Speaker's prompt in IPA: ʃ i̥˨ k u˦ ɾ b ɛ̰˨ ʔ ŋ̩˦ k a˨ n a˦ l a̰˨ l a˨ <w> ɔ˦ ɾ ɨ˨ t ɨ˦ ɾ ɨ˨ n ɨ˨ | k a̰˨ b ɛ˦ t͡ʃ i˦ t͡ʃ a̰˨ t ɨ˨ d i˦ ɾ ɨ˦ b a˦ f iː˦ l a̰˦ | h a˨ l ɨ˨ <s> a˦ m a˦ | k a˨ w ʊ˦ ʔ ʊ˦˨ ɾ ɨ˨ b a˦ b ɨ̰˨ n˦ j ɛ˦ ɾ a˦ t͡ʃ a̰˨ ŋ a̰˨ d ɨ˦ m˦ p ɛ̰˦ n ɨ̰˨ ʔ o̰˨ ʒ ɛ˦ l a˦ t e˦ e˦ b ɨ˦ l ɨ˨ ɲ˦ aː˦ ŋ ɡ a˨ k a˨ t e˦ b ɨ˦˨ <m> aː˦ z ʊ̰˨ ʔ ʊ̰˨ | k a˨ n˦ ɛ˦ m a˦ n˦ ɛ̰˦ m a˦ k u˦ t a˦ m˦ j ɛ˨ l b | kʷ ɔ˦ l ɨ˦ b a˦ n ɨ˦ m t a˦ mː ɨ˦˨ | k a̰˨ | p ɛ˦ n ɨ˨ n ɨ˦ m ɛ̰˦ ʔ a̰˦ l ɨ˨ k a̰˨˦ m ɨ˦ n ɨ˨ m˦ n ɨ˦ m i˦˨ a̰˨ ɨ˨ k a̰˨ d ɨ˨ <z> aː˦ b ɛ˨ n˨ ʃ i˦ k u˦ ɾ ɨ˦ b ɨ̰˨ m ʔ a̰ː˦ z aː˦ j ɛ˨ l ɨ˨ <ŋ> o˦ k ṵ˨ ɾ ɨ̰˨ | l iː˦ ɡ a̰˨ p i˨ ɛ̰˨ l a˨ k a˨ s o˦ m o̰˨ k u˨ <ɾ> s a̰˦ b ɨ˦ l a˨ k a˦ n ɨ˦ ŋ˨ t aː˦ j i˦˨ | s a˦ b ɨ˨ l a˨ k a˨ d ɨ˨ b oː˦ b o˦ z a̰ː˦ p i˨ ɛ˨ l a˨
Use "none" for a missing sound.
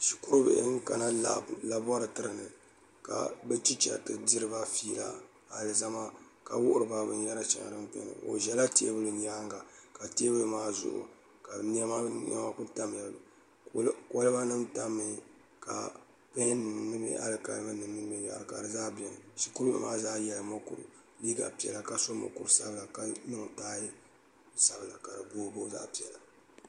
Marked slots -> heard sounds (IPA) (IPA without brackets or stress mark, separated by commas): b, z, m, z, m, ɾ